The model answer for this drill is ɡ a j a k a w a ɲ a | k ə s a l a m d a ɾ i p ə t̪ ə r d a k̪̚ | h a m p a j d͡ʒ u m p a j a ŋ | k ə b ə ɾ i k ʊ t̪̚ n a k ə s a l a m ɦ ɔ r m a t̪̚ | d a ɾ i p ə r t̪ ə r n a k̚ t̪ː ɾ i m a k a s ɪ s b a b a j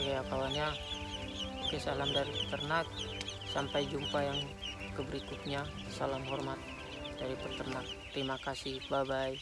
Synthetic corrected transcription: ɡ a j a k a w a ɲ a | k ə s a l a m d a ɾ i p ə t̪ ə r n a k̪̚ | s a m p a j d͡ʒ u m p a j a ŋ | k ə b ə ɾ i k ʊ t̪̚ ɲ a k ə s a l a m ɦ ɔ r m a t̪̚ | d a ɾ i p ə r t̪ ə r n a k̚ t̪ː ɾ i m a k a s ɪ h b a b a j